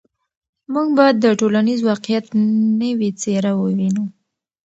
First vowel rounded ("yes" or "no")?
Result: yes